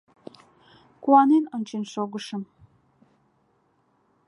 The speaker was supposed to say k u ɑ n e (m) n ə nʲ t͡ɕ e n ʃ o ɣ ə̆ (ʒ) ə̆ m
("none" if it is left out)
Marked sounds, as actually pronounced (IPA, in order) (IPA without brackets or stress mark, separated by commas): none, ʃ